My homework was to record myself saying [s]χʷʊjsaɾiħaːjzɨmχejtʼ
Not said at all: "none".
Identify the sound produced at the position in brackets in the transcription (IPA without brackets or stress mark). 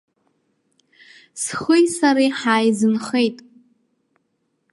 s